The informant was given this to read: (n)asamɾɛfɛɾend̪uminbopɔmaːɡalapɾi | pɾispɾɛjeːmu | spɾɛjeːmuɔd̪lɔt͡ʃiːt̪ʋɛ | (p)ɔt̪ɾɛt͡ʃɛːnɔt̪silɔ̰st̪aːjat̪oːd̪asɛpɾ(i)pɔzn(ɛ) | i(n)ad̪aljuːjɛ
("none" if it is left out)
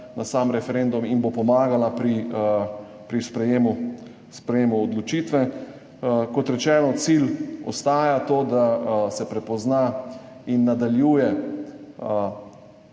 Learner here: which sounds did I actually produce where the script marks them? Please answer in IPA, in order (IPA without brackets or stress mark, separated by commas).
n, k, ɛ, a, nː